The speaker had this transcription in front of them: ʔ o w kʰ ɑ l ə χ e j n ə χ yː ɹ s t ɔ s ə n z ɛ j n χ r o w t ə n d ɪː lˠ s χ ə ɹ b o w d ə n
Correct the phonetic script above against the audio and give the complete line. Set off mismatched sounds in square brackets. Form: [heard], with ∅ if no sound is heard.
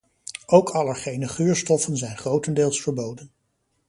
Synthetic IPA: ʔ o w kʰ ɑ l ə χ e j n ə χ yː ɹ s t ɔ [f] ə n z ɛ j n χ r o w t ə n d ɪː lˠ s [f] ə ɹ b o w d ə n